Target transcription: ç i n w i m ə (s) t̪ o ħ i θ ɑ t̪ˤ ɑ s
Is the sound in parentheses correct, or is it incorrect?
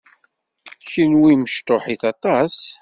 incorrect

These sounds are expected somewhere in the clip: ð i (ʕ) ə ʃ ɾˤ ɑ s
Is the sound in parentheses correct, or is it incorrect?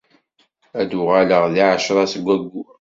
correct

